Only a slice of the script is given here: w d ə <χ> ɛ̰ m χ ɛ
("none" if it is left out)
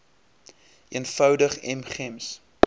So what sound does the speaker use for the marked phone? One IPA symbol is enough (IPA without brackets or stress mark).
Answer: χ